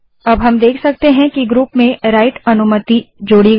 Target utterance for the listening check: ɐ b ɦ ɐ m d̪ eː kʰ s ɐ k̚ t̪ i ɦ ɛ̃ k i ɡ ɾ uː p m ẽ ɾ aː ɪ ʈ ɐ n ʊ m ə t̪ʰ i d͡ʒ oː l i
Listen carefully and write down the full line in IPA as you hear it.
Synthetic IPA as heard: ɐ b ɦ ɐ m d̪ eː kʰ s ɐ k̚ t̪ e ɦ ɛ̃ k i ɡ ɾ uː p m ẽ ɾ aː ɪ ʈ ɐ n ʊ m ə t̪ i d͡ʒ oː ɽ i